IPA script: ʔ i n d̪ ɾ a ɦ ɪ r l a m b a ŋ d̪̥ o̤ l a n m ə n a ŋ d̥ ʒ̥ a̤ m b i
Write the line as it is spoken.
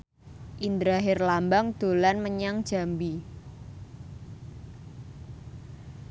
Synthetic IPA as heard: ʔ i n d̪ ɾ a ɦ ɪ r l a m b a ŋ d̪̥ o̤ l a n m ə ɲ a ŋ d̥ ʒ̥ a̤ m b i